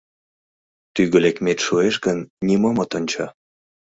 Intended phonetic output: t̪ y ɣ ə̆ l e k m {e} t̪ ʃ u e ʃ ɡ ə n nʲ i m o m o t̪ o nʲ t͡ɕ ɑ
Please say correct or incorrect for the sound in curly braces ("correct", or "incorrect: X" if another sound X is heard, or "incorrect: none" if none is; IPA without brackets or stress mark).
correct